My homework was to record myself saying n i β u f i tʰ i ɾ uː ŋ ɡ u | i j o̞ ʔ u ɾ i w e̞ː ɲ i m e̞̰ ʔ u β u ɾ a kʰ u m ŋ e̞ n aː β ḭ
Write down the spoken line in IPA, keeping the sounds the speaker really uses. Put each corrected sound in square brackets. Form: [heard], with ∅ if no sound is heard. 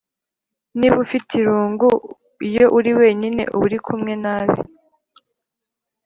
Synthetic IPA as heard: n i β u f i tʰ i ɾ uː ŋ ɡ u | i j o̞ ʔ u ɾ i w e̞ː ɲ i [n] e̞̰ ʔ u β u ɾ [i] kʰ u m ŋ e̞ n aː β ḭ